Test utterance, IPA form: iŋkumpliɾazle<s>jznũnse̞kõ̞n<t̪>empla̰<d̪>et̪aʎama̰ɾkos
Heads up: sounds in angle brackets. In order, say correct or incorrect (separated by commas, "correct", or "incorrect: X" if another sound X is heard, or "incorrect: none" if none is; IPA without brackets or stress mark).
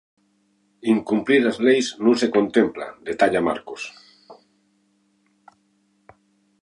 incorrect: none, correct, correct